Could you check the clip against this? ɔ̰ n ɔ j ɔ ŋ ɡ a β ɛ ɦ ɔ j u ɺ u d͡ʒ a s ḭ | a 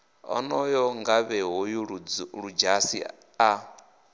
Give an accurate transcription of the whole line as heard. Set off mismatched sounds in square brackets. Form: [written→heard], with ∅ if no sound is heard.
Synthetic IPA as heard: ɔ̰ n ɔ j ɔ ŋ ɡ a β ɛ ɦ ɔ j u ɺ u d͡ʒ a s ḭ | a